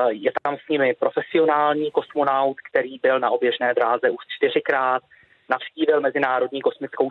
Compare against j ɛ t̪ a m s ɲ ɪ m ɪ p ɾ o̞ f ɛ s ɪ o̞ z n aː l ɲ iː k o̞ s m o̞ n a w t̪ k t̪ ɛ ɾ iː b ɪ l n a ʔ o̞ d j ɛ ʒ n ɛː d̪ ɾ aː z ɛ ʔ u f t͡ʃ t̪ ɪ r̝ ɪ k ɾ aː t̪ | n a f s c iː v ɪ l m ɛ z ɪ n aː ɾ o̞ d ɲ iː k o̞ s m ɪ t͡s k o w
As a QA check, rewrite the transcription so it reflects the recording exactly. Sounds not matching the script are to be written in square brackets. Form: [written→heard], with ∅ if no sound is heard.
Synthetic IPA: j ɛ t̪ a m s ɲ ɪ m ɪ p ɾ o̞ f ɛ s ɪ o̞ [z→∅] n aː l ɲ iː k o̞ s m o̞ n a w t̪ k t̪ ɛ ɾ iː b ɪ l n a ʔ o̞ [d→b] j ɛ ʒ n ɛː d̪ ɾ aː z ɛ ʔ u [f→ʃ] t͡ʃ t̪ ɪ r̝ ɪ k ɾ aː t̪ | n a f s c iː v ɪ l m ɛ z ɪ n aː ɾ o̞ d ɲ iː k o̞ s m ɪ t͡s k o w